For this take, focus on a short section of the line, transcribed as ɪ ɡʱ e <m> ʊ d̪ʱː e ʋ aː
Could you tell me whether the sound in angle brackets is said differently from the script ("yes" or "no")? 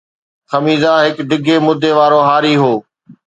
no